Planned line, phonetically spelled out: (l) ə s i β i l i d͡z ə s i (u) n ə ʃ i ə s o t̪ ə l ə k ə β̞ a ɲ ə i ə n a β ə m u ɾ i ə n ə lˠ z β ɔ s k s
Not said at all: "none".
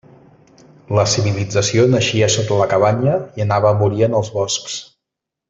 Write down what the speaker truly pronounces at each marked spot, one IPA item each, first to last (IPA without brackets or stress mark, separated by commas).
l, o